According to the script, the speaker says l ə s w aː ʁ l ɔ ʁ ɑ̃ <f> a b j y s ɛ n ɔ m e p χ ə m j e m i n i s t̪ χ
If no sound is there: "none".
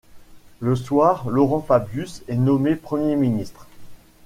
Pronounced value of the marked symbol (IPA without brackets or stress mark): f